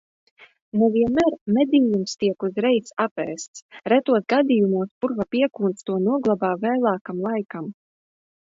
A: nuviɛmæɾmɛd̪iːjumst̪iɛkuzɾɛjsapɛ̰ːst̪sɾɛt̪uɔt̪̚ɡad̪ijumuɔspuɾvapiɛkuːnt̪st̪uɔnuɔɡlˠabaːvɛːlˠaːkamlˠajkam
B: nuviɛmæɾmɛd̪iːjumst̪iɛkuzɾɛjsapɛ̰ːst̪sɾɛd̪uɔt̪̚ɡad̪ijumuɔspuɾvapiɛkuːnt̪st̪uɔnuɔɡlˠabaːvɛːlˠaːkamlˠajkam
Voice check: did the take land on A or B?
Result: A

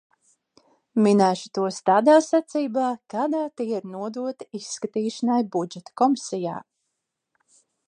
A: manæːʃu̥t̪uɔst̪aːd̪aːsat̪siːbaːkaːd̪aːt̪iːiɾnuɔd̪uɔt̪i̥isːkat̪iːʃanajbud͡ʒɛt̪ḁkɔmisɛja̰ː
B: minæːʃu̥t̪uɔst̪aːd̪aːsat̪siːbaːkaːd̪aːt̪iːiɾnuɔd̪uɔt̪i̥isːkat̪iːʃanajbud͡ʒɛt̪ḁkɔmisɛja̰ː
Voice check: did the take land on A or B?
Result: B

